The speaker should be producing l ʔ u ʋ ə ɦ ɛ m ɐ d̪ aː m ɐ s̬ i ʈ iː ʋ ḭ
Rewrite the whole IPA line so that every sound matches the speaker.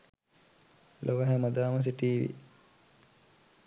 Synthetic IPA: l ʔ o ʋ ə ɦ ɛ m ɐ d̪ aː m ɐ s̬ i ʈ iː ʋ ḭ